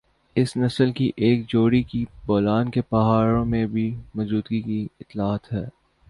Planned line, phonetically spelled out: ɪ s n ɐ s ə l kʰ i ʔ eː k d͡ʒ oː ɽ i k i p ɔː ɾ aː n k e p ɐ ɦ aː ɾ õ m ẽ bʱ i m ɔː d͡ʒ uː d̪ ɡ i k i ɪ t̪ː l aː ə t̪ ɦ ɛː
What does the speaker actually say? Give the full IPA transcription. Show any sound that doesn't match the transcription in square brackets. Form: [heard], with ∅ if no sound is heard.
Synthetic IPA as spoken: ɪ s n ɐ s ə l [k] i ʔ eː k d͡ʒ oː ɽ i k i [b] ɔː [l] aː n k e p ɐ ɦ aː ɾ õ m ẽ bʱ i m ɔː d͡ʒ uː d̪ ɡ i k i ɪ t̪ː l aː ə t̪ ɦ ɛː